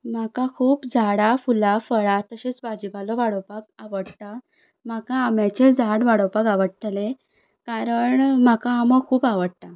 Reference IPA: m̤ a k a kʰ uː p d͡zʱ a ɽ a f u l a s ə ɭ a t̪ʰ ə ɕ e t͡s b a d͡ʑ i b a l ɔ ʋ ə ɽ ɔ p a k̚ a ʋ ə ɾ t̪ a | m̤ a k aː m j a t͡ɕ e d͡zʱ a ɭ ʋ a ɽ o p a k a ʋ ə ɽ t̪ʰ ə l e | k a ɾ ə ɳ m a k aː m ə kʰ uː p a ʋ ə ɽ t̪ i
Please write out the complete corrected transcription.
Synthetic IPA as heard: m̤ a k a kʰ uː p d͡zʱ a ɽ a f u l a f ə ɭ a t̪ ə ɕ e t͡s b a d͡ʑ i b a l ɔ ʋ a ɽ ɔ p a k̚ a ʋ ə ɽ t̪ a | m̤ a k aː m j a t͡ɕ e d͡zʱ a ɽ ʋ a ɽ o p a k a ʋ ə ɽ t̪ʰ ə l e | k a ɾ ə ɳ m a k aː m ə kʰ uː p a ʋ ə ɽ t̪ a

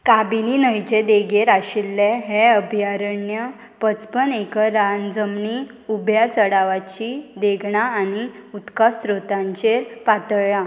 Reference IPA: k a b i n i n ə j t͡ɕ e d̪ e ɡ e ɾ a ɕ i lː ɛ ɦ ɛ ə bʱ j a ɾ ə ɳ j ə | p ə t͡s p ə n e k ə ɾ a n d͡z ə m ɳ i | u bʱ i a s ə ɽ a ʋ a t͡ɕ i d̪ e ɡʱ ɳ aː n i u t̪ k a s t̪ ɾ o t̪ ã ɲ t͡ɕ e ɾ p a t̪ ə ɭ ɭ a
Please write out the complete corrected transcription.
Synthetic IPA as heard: k a b i n i n ə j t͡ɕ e d̪ e ɡ e ɾ a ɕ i lː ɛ ɦ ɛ ə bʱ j a ɾ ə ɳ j ə | p ə t͡s p ə n e k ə ɾ a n d͡z ə m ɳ i | u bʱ j a t͡s ə ɽ a ʋ a t͡ɕ i d̪ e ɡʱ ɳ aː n i u t̪ k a s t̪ ɾ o t̪ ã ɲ t͡ɕ e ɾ p a t̪ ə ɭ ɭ a

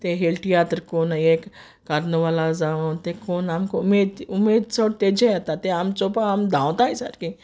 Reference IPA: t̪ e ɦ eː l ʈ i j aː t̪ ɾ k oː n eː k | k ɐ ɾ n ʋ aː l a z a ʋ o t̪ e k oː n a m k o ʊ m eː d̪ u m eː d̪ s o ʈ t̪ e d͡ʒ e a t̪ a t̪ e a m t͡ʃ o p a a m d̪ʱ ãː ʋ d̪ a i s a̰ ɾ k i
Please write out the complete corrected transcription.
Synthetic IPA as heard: t̪ e ɦ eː l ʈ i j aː t̪ ɾ k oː n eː k | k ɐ ɾ n ʋ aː l a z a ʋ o t̪ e k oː n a m k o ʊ m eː d̪ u m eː d̪ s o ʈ t̪ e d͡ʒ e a t̪ a t̪ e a m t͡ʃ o p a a m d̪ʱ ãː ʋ t̪ a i s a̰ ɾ k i

